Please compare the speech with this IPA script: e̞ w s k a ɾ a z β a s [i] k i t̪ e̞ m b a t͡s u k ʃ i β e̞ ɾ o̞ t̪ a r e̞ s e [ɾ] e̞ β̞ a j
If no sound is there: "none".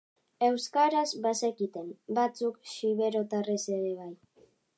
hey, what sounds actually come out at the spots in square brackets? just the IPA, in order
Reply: e, ɾ

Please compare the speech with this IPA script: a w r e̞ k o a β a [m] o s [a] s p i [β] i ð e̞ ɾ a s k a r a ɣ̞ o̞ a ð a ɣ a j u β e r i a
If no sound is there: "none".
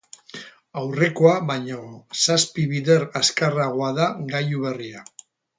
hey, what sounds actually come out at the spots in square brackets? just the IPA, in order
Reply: ɲ, a, β

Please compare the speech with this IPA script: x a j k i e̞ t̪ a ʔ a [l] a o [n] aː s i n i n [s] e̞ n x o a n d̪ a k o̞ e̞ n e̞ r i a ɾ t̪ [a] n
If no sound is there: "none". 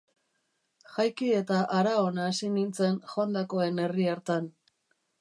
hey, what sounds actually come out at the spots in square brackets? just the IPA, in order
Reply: ɾ, n, t͡s, a

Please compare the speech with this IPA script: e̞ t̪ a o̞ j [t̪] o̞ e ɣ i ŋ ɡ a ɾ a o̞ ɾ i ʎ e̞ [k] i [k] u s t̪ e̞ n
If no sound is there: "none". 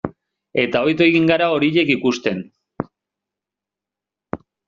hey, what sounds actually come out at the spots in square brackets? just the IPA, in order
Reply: t̪, k, k

